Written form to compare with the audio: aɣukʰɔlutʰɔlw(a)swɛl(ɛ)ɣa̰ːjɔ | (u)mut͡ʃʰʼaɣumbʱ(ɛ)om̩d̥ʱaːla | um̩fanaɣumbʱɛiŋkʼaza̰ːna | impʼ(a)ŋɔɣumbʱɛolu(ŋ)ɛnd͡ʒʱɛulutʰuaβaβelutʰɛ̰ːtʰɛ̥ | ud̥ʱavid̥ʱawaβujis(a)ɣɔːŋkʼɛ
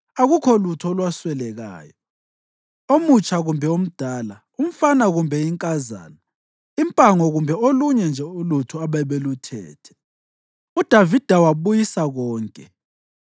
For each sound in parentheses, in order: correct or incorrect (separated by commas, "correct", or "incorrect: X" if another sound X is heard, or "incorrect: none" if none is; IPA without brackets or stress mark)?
correct, correct, incorrect: o, correct, correct, incorrect: ɲ, correct